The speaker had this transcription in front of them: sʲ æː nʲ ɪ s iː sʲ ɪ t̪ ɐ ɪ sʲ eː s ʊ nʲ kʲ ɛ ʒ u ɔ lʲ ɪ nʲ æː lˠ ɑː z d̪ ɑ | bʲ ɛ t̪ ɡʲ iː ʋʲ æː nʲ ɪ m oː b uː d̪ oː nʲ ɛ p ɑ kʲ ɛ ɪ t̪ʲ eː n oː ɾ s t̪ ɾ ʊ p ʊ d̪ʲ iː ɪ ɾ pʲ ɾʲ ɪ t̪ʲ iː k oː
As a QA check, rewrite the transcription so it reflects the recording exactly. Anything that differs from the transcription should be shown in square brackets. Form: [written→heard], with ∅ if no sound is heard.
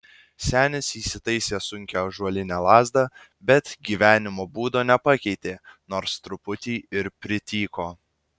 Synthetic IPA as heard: sʲ æː nʲ ɪ s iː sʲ ɪ t̪ ɐ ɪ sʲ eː s ʊ [nʲ→ŋʲ] kʲ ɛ ʒ u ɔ lʲ ɪ nʲ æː lˠ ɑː z d̪ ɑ | bʲ ɛ t̪ ɡʲ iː ʋʲ æː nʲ ɪ m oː b uː d̪ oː nʲ ɛ p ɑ kʲ ɛ ɪ t̪ʲ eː n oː ɾ s t̪ ɾ ʊ p ʊ [d̪ʲ→t̪ʲ] iː ɪ ɾ pʲ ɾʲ ɪ t̪ʲ iː k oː